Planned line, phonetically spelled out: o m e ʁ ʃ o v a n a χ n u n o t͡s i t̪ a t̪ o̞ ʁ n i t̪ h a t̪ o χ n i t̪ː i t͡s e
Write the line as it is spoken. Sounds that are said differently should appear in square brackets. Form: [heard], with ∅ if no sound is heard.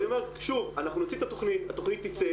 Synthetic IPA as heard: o m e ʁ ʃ [u] v a n a χ n u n o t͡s i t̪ a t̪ o̞ [χ] n i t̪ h a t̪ o χ n i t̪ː i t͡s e